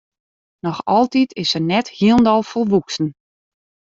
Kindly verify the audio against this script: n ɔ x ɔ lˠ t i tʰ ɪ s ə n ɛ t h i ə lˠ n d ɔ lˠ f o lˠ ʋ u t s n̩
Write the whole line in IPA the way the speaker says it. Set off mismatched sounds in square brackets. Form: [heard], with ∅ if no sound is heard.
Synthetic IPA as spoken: n ɔ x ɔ lˠ t i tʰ ɪ s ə n ɛ t h i ə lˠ n d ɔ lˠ f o lˠ ʋ u [k] s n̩